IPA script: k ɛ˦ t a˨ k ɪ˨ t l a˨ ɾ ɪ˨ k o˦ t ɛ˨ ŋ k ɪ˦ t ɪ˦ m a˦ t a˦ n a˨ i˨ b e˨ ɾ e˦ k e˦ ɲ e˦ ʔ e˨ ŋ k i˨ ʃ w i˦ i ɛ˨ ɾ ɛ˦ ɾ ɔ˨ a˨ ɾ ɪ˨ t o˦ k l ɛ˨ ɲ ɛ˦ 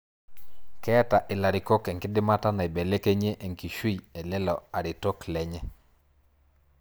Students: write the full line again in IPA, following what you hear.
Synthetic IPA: k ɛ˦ t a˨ ʔ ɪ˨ l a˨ ɾ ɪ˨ k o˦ k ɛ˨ ŋ k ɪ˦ d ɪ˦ m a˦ t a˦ n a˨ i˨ b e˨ l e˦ k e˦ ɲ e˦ ʔ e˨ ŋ k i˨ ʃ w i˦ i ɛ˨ l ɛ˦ l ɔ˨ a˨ ɾ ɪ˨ t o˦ k l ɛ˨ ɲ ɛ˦